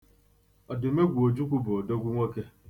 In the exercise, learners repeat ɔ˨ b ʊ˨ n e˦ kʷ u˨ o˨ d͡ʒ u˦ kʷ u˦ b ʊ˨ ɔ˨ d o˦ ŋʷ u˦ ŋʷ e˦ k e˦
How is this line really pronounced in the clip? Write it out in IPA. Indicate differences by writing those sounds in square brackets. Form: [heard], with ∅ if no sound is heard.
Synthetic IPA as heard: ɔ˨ [d] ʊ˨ [m] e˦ [ɡʷ] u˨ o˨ d͡ʒ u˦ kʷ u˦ b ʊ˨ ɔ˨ d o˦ [ɡʷ] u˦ ŋʷ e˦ k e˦